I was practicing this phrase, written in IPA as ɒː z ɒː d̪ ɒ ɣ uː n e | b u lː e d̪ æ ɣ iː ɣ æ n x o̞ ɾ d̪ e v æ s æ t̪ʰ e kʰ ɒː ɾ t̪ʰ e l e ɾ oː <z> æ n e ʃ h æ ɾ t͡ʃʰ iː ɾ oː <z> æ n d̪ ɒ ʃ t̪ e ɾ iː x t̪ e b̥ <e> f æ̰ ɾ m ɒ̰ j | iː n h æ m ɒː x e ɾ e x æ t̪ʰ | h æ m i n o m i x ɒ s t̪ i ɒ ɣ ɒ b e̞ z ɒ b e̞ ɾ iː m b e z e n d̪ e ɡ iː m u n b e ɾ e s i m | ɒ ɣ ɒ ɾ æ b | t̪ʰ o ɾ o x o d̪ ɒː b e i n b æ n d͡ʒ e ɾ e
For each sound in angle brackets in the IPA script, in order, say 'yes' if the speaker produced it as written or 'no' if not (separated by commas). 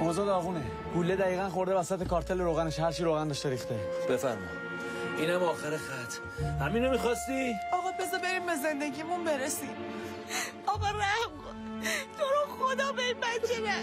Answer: no, no, yes